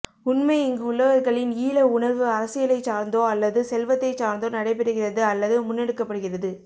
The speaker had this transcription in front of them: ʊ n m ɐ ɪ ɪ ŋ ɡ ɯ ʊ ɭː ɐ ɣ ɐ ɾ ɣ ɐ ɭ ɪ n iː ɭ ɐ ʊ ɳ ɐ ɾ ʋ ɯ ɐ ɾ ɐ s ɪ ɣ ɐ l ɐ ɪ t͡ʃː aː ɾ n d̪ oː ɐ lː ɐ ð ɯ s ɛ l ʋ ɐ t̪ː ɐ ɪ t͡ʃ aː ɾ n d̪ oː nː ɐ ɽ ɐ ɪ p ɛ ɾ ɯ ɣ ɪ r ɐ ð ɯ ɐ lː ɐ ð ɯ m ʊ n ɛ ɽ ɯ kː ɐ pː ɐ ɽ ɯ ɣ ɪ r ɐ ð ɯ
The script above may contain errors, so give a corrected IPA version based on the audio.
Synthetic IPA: ʊ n m ɐ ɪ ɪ ŋ ɡ ɯ ʊ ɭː ɐ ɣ ɐ ɾ ɣ ɐ ɭ ɪ n iː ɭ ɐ ʊ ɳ ɐ ɾ ʋ ɯ ɐ ɾ ɐ s ɪ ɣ ɐ l ɐ ɪ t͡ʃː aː ɾ n d̪ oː ɐ lː ɐ ð ɯ s ɛ l ʋ ɐ t̪ː ɐ ɪ t͡ʃ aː ɾ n d̪ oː n ɐ ɽ ɐ ɪ p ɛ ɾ ɯ ɣ ɪ r ɐ ð ɯ ɐ lː ɐ ð ɯ m ʊ nː ɛ ɽ ɯ kː ɐ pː ɐ ɽ ɯ ɣ ɪ r ɐ ð ɯ